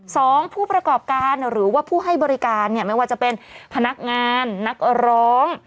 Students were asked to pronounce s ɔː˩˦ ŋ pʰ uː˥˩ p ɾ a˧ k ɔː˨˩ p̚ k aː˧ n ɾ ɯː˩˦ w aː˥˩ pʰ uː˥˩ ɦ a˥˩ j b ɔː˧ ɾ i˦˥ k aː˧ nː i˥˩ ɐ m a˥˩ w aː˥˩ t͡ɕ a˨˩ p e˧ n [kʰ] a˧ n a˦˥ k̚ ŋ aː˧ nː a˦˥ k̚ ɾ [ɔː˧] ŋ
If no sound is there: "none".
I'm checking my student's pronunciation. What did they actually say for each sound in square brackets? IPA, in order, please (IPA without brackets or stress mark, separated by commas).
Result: pʰ, ɔː˦˥